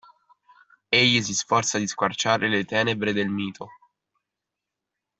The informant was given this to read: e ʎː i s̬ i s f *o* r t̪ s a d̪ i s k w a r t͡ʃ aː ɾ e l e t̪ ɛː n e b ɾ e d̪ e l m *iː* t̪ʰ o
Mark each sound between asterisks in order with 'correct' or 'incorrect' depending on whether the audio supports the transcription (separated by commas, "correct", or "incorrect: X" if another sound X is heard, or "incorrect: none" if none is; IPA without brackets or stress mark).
incorrect: ɔ, correct